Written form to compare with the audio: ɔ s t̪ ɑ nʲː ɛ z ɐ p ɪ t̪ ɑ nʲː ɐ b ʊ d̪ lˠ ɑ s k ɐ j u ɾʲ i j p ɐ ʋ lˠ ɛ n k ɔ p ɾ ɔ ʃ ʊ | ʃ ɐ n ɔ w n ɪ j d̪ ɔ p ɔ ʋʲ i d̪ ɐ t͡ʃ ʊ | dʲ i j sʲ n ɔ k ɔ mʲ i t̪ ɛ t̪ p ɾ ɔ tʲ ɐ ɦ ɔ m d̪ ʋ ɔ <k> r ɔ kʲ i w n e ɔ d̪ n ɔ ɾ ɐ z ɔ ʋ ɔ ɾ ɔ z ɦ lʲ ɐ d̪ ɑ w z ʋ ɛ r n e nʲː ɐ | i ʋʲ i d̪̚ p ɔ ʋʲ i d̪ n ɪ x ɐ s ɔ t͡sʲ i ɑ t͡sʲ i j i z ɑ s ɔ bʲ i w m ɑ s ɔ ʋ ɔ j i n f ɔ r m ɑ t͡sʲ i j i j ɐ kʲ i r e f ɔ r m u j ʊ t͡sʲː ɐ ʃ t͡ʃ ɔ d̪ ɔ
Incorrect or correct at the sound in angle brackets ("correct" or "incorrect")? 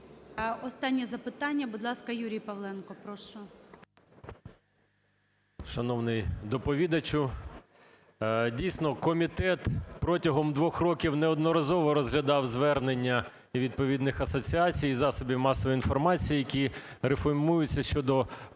incorrect